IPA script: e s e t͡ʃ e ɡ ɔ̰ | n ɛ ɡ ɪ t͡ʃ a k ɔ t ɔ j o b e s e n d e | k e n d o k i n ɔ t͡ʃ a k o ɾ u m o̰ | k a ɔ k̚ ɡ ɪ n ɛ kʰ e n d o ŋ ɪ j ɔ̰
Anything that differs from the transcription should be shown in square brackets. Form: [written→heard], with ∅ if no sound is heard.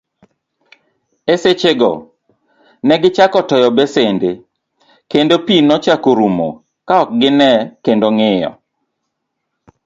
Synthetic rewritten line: e s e t͡ʃ e ɡ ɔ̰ | n ɛ ɡ ɪ t͡ʃ a k ɔ t ɔ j [o→ɔ] b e s e n d e | k e n d o [k→p] i n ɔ t͡ʃ a k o ɾ u m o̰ | k a ɔ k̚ ɡ ɪ n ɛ [kʰ→k] e n d o ŋ ɪ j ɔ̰